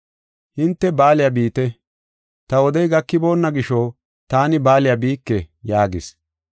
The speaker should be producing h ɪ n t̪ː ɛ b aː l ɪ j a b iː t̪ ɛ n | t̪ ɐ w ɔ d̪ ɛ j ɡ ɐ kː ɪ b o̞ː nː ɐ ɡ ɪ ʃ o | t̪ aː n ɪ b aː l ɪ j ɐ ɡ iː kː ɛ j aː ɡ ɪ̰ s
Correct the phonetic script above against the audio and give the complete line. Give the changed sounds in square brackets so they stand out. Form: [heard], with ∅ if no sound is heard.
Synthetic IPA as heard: h ɪ n t̪ː ɛ b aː l ɪ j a b iː t̪ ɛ [∅] | t̪ ɐ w ɔ d̪ ɛ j ɡ ɐ kː ɪ b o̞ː nː ɐ ɡ ɪ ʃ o | t̪ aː n ɪ b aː l ɪ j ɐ [b] iː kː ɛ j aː ɡ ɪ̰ s

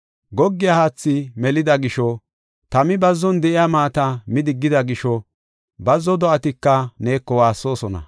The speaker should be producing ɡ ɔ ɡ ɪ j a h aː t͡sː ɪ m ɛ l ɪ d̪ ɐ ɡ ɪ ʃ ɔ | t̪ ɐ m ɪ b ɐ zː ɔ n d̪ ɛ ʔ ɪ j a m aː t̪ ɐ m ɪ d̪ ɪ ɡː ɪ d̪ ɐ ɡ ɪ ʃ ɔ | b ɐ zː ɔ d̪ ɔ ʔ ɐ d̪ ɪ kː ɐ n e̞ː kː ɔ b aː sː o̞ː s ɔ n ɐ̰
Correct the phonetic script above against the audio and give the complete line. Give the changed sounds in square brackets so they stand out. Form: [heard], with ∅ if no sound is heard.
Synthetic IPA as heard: ɡ ɔ [ɡː] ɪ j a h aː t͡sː ɪ m ɛ l ɪ d̪ ɐ ɡ ɪ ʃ ɔ | t̪ ɐ m ɪ b ɐ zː ɔ n d̪ ɛ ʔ ɪ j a m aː t̪ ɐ m ɪ d̪ ɪ ɡː ɪ d̪ ɐ ɡ ɪ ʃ ɔ | b ɐ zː ɔ d̪ ɔ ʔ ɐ [t̪] ɪ kː ɐ n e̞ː kː ɔ [w] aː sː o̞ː s ɔ n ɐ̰

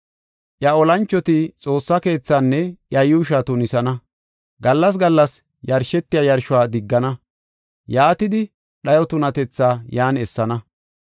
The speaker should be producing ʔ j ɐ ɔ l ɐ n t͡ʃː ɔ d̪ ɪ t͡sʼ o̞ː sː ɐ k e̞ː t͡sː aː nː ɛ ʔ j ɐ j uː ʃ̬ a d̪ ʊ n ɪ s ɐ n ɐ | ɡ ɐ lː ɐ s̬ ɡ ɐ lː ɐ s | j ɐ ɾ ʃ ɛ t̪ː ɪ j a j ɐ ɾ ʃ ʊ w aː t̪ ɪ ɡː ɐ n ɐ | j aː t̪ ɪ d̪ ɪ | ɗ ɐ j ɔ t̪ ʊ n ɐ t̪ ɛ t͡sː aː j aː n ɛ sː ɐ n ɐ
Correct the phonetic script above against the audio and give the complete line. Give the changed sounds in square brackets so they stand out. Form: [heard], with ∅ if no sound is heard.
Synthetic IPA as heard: ʔ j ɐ ɔ l ɐ n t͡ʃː ɔ [t̪] ɪ t͡sʼ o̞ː sː ɐ k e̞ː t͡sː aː nː ɛ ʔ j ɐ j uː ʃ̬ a [t̪] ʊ n ɪ s ɐ n ɐ | ɡ ɐ lː ɐ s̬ ɡ ɐ lː ɐ s | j ɐ ɾ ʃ ɛ t̪ː ɪ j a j ɐ ɾ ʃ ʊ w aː [d̪] ɪ ɡː ɐ n ɐ | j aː t̪ ɪ d̪ ɪ | ɗ ɐ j ɔ t̪ ʊ n ɐ t̪ ɛ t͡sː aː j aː n ɛ sː ɐ n ɐ

